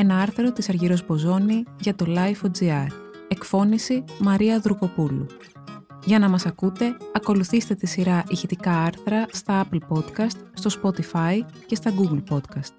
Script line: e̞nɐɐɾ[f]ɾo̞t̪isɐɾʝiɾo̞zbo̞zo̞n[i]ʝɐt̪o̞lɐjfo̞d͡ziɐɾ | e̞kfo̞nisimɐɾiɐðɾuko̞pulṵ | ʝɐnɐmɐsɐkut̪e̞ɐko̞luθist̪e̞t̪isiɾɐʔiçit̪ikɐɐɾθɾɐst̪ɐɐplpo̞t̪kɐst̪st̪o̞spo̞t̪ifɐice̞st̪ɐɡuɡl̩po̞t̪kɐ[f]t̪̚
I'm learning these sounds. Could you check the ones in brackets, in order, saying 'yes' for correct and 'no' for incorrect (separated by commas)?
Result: no, yes, no